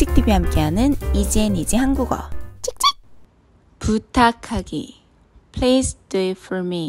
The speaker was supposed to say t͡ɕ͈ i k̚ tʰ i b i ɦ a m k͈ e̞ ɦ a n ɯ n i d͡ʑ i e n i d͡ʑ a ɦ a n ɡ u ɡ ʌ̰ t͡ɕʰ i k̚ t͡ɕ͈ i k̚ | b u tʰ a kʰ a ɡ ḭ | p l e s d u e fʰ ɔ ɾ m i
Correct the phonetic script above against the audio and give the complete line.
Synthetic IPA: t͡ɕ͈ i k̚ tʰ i b i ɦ a m k͈ e̞ ɦ a n ɯ n i d͡ʑ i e n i d͡ʑ i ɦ a n ɡ u ɡ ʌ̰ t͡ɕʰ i k̚ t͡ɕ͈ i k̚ | p u tʰ a kʰ a ɡ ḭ | pʰ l e s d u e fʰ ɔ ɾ m i